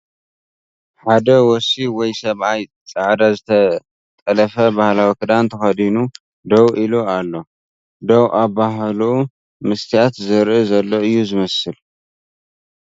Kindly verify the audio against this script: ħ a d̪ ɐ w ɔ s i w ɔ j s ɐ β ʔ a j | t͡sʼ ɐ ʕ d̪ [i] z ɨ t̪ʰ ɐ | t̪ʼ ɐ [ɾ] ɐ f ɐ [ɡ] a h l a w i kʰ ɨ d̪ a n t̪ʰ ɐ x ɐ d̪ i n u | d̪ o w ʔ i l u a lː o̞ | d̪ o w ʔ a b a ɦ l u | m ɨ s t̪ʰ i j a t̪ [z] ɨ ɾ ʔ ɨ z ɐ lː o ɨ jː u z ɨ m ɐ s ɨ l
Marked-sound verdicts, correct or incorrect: incorrect, incorrect, incorrect, correct

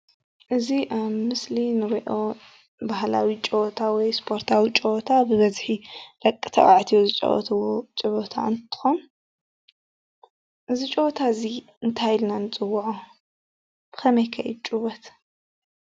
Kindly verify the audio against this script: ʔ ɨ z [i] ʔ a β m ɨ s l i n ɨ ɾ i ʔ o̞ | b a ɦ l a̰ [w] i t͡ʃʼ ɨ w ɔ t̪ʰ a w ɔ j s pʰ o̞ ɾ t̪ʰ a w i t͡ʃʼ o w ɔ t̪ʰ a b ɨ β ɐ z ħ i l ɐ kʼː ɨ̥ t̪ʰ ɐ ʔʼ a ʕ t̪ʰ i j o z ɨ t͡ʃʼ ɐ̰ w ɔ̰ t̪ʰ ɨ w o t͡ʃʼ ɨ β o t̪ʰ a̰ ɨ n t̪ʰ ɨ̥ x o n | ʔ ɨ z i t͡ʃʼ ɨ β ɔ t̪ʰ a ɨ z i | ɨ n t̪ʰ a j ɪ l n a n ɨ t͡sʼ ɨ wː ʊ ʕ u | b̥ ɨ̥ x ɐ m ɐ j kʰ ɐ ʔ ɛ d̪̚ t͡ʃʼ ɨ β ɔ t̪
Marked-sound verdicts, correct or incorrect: correct, correct

